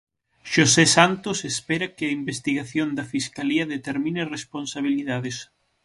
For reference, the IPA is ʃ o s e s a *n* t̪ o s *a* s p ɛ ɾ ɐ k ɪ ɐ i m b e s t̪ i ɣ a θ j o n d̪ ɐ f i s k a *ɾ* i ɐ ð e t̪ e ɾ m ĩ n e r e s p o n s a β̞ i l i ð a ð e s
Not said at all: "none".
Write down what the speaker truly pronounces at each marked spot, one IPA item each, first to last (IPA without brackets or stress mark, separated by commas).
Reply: n, e, l